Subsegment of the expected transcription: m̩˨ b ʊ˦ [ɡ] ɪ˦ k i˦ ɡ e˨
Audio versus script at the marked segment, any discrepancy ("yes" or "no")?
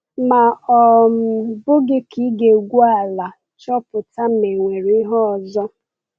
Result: no